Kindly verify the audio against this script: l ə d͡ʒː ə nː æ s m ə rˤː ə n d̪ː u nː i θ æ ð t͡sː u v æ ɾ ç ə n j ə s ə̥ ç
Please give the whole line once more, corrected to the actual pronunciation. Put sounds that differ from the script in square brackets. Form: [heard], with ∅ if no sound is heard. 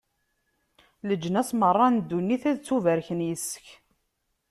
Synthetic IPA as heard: l ə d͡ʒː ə [n] æ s m ə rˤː [ɑ] n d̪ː u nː i θ æ ð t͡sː u v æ ɾ ç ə n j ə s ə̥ ç